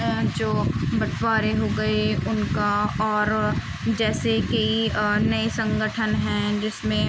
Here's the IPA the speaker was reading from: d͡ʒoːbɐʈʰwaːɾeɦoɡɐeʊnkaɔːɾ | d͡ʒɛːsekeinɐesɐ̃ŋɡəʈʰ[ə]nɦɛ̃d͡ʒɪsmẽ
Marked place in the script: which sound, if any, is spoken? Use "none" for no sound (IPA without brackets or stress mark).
ə